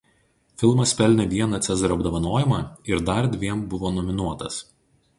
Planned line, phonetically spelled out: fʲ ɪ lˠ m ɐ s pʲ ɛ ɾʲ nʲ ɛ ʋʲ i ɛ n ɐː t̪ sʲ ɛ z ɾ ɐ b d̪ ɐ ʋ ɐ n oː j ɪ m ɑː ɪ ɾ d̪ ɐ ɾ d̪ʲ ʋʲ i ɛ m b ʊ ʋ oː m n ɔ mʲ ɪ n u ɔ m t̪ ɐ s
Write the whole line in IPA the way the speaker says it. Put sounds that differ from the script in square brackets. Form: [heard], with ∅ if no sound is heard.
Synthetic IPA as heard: fʲ ɪ lˠ m ɐ s pʲ ɛ [lʲ] nʲ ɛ ʋʲ i ɛ n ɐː t̪ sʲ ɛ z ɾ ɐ b d̪ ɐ ʋ ɐ n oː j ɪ m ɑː ɪ ɾ d̪ ɐ ɾ d̪ʲ ʋʲ i ɛ m b ʊ ʋ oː [∅] n ɔ mʲ ɪ n u ɔ [∅] t̪ ɐ s